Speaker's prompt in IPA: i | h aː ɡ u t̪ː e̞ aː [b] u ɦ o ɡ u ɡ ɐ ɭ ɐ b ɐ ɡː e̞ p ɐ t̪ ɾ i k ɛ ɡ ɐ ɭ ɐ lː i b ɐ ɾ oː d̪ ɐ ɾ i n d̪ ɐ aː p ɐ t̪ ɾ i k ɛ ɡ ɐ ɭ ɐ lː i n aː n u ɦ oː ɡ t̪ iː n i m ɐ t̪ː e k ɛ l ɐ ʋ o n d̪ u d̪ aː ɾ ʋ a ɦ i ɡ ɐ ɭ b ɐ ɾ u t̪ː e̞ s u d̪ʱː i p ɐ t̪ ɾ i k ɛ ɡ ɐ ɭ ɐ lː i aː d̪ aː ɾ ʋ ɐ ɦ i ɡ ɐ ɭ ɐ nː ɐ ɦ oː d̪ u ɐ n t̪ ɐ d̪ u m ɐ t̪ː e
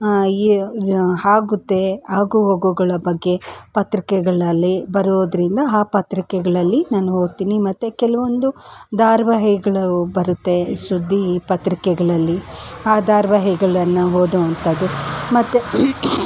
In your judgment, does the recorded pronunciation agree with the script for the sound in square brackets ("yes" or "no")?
no